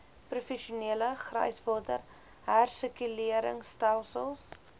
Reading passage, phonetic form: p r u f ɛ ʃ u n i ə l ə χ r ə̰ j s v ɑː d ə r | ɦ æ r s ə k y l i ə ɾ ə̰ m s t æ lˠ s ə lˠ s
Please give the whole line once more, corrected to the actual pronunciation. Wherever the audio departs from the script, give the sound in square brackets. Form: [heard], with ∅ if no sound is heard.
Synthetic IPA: p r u f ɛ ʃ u n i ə l ə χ r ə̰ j s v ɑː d ə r | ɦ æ r s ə k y l i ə ɾ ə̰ [ŋ] s t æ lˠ s ə lˠ s